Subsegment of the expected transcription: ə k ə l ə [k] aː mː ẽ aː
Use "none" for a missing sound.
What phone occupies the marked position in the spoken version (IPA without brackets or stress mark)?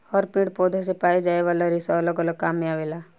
k